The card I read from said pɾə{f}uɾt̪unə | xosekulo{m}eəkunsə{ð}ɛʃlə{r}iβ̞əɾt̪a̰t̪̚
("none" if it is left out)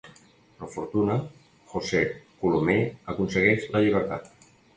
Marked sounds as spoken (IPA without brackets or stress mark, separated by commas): f, m, ɣ, ʎ